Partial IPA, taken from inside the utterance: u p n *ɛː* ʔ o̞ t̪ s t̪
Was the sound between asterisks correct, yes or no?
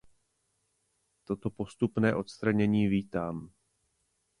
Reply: yes